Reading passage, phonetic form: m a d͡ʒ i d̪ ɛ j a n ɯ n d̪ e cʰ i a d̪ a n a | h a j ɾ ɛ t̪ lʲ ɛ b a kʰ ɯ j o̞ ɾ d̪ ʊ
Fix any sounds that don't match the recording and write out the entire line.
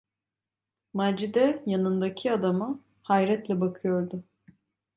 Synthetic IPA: m a d͡ʒ i d̪ ɛ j a n ɯ n d̪ a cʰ i a d̪ a m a | h a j ɾ ɛ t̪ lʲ ɛ b a kʰ ɯ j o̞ ɾ d̪ ʊ